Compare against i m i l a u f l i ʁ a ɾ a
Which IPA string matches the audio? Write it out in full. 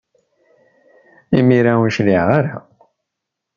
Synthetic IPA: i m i ɾ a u ʃ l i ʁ a ɾ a